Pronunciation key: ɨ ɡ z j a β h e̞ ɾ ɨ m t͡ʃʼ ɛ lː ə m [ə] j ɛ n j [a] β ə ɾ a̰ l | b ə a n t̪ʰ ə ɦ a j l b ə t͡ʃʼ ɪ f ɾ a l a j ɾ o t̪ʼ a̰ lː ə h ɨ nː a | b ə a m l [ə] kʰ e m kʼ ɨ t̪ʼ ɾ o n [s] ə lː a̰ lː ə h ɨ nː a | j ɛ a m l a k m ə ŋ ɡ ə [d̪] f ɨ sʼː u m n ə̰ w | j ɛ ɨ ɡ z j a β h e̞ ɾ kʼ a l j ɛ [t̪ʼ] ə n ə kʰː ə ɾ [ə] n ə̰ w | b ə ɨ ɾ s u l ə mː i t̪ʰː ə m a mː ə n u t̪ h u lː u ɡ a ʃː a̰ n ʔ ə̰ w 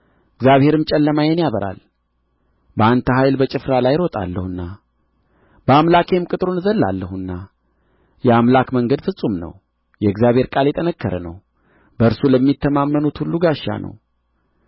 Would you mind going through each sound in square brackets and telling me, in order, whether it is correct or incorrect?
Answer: incorrect, correct, incorrect, incorrect, correct, correct, correct

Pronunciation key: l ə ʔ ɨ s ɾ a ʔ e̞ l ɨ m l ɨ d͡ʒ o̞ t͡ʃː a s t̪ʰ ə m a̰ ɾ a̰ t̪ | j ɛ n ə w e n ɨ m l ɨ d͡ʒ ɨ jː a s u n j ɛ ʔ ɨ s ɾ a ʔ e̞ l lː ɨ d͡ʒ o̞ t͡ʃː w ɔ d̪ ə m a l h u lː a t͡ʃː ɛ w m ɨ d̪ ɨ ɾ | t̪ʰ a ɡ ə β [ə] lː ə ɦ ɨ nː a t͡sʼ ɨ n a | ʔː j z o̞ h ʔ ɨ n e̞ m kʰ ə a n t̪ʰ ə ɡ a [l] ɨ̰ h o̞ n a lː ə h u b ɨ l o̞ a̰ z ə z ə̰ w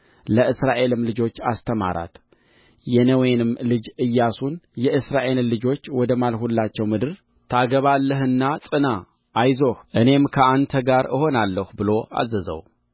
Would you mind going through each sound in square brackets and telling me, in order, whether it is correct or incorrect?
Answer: incorrect, incorrect

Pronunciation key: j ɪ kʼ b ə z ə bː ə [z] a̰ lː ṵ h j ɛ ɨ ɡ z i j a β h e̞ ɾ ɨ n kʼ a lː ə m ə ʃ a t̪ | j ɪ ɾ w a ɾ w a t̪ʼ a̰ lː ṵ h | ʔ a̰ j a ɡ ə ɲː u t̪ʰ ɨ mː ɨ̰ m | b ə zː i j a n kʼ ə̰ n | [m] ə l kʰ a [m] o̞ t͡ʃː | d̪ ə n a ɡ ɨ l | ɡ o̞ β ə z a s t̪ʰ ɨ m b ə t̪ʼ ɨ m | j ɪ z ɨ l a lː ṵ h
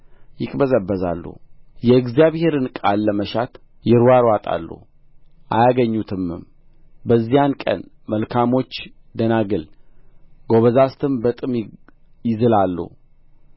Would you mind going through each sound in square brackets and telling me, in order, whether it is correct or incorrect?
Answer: correct, correct, correct

